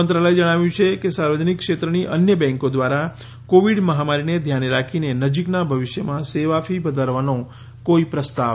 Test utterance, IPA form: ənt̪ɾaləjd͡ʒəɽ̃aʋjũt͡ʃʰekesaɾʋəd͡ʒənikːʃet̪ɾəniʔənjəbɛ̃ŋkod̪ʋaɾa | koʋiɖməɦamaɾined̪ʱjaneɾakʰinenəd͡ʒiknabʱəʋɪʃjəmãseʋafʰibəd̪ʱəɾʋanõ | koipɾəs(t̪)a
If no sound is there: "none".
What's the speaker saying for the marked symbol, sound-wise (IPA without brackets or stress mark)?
t̪